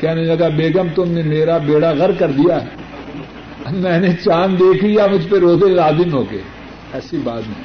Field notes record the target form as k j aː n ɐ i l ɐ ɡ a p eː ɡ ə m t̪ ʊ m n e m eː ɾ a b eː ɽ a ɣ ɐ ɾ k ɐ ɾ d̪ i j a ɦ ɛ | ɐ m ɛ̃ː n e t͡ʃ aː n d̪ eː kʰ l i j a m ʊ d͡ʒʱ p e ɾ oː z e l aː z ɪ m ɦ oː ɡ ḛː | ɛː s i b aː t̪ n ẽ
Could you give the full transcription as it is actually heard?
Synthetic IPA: k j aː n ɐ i l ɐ ɡ a b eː ɡ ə m t̪ ʊ m n e m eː ɾ a b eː ɽ a ɣ ɐ ɾ k ɐ ɾ d̪ i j a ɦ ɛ | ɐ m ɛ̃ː n e t͡ʃ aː n d̪ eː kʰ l i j a m ʊ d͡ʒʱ p e ɾ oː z e l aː z ɪ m ɦ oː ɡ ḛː | ɛː s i b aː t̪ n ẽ